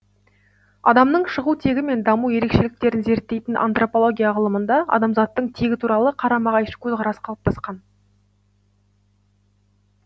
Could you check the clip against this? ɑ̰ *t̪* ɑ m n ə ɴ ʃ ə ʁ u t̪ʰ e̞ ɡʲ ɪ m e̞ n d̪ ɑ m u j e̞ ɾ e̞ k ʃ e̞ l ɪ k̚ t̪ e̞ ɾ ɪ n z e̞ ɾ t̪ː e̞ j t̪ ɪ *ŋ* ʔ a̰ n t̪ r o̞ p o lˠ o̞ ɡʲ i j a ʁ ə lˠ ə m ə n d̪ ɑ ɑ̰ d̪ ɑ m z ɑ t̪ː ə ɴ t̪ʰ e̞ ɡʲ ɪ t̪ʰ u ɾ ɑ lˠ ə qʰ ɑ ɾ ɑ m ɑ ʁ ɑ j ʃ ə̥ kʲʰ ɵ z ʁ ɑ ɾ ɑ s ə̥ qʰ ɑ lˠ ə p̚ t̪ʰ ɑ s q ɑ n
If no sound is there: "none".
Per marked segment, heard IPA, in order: d̪, n

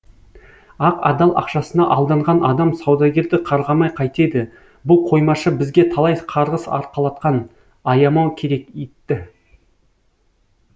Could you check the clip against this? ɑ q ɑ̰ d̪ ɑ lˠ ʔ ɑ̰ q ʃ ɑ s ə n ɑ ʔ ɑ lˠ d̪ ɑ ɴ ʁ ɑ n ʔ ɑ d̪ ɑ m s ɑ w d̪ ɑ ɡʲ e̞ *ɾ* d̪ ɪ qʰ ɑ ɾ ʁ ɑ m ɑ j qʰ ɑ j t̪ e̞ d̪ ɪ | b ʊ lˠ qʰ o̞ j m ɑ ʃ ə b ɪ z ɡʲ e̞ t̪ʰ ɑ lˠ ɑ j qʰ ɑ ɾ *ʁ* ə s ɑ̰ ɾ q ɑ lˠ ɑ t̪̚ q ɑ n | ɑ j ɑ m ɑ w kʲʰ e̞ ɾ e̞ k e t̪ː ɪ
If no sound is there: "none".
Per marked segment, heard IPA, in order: ɾ, ʁ

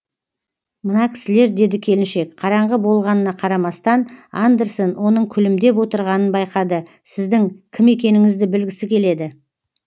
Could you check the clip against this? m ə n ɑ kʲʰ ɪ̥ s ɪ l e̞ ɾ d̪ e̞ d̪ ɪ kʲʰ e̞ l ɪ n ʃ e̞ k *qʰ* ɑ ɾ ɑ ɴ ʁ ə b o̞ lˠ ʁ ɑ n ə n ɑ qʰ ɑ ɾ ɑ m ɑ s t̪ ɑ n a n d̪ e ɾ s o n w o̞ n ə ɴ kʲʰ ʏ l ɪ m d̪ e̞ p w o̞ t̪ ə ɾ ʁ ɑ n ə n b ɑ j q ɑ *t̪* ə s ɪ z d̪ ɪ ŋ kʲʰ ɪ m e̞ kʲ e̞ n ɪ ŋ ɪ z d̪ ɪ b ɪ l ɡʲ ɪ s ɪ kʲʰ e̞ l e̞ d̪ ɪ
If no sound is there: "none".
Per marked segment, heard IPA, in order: qʰ, d̪

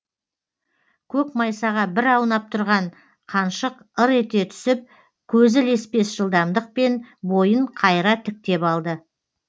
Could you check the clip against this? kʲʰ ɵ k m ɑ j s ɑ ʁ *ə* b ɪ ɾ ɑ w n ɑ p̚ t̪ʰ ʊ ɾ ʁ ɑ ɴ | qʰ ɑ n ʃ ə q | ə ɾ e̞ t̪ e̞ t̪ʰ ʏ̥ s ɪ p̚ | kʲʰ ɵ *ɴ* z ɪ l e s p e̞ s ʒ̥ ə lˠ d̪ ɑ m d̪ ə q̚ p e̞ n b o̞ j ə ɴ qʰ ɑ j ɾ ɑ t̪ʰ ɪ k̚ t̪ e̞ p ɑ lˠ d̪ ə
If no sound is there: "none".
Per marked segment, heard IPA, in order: ɑ, none

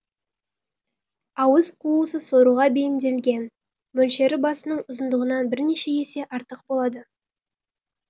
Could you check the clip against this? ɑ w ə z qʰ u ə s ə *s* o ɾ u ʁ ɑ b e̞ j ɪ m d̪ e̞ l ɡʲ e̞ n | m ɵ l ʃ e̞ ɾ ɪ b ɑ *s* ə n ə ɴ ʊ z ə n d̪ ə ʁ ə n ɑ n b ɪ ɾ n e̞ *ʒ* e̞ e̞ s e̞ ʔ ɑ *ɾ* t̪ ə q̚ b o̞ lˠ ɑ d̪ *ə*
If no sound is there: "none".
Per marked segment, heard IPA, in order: s, s, ʃ, ɾ, ə

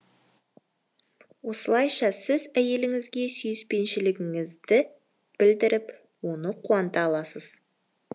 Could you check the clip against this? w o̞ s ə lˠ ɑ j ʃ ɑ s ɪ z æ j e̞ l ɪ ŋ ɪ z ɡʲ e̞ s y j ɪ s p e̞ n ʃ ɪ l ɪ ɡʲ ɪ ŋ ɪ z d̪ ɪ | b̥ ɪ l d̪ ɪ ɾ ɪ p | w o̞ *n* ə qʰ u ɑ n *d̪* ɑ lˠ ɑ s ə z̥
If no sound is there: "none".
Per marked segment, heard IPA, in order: n, t̪

